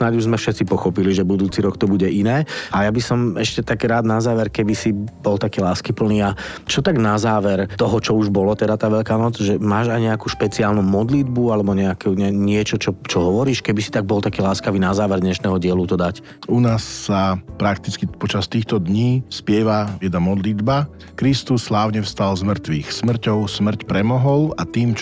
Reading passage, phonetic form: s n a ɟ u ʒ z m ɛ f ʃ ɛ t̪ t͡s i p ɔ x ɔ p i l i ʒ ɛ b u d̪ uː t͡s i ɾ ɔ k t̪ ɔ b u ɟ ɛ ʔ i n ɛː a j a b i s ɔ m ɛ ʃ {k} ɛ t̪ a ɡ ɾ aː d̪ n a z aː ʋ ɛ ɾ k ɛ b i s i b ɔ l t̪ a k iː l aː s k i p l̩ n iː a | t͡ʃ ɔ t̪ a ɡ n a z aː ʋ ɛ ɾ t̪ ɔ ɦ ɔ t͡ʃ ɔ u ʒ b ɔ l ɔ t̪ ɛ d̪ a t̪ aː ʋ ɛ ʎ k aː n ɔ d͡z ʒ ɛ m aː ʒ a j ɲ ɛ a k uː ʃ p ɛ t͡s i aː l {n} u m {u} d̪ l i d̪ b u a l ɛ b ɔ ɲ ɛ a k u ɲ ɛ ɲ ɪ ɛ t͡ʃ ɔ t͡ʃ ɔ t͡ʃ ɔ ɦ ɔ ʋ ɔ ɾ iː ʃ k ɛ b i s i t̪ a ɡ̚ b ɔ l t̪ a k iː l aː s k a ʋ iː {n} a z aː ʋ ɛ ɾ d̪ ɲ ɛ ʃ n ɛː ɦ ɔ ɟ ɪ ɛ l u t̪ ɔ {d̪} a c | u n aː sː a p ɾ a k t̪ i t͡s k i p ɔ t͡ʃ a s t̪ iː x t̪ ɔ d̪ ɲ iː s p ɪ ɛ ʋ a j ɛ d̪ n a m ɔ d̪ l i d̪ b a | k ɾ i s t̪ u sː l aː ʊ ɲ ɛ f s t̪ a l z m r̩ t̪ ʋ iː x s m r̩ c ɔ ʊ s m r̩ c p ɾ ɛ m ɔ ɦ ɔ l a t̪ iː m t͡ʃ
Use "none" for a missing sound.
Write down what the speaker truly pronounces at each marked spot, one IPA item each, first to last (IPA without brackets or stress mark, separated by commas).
c, n, ɔ, n, d̪